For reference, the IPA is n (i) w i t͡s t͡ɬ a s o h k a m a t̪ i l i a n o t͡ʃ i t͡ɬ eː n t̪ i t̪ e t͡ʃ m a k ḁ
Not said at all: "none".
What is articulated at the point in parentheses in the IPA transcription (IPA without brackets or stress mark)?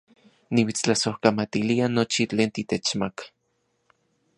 i